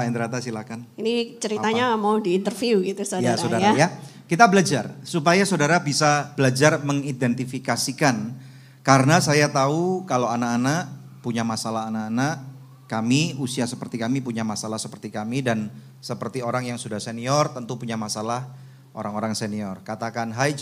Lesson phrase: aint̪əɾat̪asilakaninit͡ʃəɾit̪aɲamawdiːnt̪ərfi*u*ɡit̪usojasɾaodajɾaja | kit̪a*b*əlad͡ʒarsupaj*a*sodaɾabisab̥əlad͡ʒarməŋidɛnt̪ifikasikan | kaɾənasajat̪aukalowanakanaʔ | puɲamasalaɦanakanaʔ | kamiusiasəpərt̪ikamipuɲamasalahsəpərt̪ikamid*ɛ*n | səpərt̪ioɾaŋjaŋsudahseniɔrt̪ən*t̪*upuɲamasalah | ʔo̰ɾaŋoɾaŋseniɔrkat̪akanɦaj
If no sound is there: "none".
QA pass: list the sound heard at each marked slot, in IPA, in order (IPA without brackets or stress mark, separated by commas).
u, b, a, a, t̪